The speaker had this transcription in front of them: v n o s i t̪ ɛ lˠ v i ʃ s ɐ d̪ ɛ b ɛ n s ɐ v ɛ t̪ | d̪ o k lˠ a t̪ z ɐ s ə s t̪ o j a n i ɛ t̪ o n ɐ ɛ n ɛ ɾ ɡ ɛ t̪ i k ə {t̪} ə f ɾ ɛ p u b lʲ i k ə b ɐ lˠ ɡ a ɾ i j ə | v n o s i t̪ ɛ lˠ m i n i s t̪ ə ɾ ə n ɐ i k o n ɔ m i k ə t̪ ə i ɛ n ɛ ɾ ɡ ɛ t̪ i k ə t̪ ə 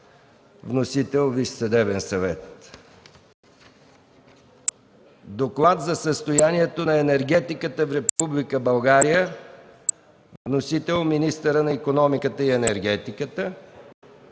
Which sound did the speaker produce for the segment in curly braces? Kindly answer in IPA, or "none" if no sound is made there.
t̪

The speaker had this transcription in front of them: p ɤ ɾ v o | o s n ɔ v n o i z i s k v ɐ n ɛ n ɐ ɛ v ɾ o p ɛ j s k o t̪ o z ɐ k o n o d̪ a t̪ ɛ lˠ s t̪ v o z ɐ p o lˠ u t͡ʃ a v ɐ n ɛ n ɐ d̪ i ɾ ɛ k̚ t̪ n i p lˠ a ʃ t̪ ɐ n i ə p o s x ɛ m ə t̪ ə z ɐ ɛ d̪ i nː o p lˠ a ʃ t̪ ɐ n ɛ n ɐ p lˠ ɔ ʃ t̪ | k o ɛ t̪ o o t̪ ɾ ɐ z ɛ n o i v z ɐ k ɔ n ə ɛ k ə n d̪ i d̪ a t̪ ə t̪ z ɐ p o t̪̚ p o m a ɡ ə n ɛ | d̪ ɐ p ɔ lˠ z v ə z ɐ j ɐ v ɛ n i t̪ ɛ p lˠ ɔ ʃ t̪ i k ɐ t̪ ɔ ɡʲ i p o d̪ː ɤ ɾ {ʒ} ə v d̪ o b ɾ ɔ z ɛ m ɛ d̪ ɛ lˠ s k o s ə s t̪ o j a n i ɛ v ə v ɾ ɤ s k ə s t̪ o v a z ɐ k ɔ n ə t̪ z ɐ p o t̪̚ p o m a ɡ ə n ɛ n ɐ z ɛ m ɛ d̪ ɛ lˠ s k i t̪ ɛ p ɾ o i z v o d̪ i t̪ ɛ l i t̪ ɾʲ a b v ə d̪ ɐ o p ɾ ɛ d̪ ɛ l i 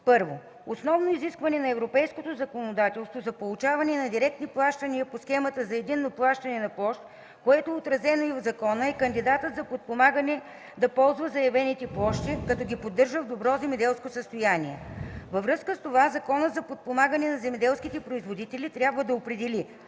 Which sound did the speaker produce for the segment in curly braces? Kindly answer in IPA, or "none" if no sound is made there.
ʒ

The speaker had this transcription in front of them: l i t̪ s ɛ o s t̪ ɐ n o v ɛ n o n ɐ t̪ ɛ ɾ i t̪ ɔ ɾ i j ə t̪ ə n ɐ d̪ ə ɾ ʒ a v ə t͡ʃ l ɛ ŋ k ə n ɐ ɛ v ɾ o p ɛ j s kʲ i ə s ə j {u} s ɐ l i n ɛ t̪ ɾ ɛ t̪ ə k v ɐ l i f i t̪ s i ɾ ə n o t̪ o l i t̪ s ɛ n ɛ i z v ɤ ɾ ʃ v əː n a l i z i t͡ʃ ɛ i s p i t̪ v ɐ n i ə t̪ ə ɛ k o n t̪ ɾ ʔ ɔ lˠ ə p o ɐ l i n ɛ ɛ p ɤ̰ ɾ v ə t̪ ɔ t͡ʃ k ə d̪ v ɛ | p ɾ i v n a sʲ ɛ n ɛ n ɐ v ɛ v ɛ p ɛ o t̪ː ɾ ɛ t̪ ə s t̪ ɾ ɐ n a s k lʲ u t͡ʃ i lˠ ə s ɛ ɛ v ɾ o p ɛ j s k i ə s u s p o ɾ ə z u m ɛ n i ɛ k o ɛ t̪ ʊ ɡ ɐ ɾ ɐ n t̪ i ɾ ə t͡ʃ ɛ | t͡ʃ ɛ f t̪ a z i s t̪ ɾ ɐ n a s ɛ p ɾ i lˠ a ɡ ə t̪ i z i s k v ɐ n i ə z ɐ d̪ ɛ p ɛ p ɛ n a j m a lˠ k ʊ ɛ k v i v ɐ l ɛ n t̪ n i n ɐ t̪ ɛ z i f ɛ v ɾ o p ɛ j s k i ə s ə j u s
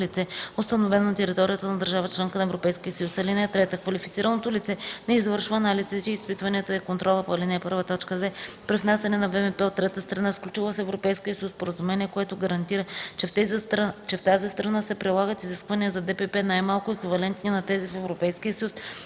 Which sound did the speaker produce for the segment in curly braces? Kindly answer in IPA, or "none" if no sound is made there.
u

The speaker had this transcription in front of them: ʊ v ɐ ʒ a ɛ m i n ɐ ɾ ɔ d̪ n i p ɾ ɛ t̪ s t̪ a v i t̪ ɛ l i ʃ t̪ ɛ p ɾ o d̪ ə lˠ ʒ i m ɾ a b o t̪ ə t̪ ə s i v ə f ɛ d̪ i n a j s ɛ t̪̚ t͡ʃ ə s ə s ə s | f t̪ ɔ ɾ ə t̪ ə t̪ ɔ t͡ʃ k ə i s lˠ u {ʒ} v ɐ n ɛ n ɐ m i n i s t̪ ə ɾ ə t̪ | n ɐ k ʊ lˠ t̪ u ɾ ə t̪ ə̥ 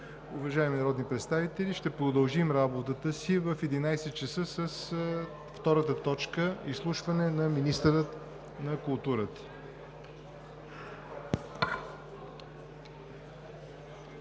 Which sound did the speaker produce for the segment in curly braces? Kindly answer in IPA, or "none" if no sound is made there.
ʃ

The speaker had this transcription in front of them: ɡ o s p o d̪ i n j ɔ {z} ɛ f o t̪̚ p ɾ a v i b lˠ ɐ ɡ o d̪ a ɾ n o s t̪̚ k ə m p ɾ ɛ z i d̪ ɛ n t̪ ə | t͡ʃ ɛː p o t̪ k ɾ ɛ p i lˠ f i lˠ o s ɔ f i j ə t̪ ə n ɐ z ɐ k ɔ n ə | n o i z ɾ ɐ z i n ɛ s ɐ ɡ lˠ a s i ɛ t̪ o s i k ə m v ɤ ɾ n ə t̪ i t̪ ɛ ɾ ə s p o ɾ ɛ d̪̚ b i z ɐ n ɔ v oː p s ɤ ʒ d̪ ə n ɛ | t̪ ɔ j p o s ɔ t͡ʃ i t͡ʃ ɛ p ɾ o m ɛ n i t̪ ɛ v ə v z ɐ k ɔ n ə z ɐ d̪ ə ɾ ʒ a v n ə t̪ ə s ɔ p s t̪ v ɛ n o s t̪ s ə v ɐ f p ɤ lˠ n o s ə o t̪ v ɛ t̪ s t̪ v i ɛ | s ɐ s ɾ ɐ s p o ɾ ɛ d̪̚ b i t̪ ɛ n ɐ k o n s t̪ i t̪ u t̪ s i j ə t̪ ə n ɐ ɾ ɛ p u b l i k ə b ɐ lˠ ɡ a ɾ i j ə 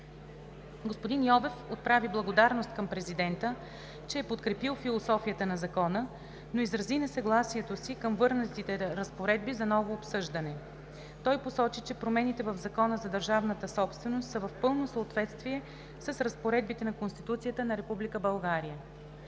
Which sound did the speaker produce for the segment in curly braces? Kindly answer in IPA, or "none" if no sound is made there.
v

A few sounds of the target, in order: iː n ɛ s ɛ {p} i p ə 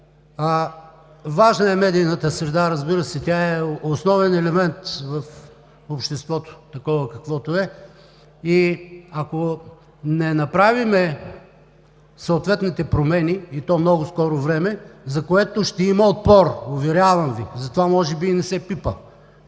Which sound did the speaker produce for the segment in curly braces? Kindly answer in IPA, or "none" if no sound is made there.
p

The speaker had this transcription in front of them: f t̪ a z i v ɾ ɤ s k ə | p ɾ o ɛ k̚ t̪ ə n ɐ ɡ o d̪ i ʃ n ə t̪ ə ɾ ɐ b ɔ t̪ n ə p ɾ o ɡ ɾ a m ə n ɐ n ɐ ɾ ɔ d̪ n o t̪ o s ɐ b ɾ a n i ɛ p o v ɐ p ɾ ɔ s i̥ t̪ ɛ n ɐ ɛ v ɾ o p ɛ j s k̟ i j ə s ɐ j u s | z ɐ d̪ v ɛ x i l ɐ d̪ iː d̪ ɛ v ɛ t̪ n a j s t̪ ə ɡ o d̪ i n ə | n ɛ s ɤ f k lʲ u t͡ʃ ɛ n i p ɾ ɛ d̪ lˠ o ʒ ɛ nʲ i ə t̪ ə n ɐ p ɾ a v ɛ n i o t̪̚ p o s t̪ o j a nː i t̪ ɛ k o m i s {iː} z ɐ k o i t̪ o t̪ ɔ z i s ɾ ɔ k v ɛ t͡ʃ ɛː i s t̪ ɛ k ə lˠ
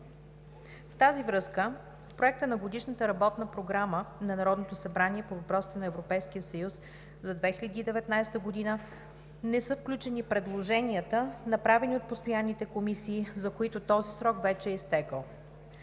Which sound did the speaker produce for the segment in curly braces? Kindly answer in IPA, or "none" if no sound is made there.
iː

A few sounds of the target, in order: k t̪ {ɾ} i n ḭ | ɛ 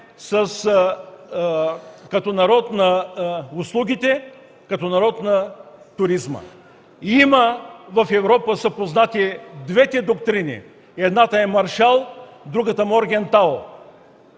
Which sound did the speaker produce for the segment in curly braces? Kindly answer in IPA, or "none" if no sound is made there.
ɾ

